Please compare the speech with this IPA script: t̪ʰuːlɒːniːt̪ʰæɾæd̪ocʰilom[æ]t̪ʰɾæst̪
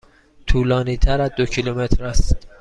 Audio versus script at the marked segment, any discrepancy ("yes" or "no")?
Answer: yes